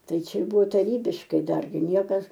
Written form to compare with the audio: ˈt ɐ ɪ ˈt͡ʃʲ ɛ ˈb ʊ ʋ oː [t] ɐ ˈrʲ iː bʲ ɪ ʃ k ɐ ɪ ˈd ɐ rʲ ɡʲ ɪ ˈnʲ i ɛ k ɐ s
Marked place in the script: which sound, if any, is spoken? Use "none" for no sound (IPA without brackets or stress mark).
t